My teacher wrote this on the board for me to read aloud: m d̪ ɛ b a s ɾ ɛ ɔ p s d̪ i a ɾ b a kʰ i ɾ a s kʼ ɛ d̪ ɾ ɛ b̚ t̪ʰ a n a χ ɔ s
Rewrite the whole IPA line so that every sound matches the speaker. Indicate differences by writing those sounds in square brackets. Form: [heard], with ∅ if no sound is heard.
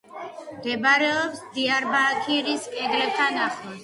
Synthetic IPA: m d̪ ɛ b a [∅] ɾ ɛ ɔ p s d̪ i a ɾ b a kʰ i ɾ [i] s kʼ ɛ d̪ ɾ ɛ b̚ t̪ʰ a n a χ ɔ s